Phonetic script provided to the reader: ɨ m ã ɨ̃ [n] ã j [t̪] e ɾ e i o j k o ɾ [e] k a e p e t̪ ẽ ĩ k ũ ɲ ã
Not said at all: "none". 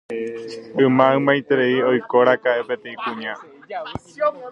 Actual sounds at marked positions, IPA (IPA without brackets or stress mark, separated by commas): m, t̪, a